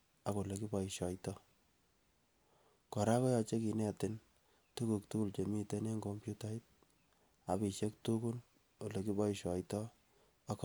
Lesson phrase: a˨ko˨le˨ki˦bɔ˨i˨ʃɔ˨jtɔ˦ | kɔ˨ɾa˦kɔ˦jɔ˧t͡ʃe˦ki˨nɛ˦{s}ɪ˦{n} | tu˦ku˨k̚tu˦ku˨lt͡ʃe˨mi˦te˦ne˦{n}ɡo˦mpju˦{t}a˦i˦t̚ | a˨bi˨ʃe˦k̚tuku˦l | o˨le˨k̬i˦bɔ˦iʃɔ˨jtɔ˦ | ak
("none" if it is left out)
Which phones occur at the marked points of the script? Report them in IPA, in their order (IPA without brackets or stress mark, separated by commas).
t, n, ŋ, t